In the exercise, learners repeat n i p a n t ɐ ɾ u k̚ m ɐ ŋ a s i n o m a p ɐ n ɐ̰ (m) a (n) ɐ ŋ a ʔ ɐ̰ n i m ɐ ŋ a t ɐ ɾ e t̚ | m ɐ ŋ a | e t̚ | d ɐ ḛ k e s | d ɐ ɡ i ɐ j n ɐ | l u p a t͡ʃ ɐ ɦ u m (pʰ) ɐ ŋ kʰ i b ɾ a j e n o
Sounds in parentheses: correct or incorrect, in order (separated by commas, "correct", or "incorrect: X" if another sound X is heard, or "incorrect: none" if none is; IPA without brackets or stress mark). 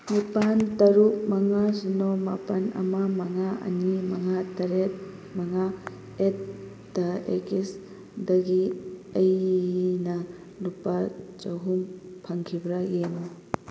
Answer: correct, incorrect: m, correct